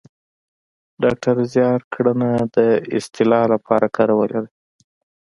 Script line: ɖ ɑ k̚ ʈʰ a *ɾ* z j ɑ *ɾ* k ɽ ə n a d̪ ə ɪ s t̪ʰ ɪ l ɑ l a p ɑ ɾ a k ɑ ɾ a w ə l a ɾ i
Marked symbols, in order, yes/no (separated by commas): yes, yes